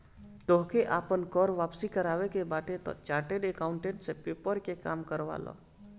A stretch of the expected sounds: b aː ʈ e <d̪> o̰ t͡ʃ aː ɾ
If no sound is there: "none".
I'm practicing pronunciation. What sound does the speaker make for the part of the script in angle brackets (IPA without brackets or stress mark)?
t̪